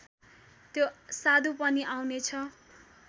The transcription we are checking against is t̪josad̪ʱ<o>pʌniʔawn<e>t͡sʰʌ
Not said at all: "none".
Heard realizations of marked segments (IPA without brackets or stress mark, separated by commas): u, e